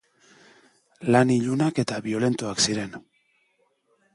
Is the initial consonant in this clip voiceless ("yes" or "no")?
no